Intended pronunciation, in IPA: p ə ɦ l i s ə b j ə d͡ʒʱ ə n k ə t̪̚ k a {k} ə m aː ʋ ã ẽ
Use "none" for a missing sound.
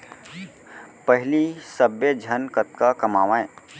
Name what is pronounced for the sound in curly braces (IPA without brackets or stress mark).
k